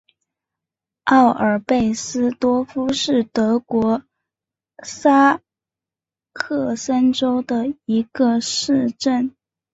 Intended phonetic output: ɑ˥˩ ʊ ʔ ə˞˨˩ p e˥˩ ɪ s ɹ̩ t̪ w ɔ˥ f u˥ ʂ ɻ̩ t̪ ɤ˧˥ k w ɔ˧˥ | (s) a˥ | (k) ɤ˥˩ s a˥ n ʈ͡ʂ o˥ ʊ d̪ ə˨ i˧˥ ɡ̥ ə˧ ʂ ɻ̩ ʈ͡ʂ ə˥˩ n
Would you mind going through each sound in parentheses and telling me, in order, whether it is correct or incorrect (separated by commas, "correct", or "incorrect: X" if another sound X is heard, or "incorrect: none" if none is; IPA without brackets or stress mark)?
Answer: correct, incorrect: kʰ